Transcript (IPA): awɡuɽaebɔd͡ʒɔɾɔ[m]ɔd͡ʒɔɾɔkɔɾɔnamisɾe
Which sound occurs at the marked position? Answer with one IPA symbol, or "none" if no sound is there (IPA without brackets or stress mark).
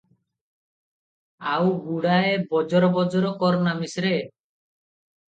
b